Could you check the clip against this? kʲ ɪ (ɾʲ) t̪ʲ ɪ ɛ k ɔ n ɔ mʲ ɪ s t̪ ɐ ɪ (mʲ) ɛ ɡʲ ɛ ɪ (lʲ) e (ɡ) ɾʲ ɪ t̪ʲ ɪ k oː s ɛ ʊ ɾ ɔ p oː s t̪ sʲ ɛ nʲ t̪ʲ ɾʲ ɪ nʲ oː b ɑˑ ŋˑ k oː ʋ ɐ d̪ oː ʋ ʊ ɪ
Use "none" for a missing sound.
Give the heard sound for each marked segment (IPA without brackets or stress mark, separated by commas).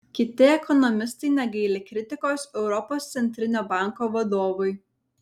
none, nʲ, lʲ, k